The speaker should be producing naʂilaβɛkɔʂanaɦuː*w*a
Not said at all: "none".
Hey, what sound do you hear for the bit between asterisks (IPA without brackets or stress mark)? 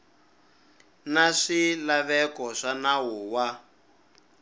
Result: w